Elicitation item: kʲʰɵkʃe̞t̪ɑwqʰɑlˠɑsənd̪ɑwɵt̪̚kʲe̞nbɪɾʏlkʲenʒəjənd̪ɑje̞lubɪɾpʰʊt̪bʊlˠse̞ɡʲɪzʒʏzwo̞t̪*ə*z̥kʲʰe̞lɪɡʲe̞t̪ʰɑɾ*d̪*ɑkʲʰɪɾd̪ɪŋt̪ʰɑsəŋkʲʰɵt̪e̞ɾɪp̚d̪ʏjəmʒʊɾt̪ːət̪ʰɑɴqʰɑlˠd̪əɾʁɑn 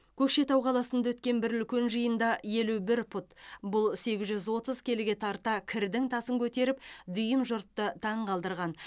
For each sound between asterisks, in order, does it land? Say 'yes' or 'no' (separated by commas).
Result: yes, no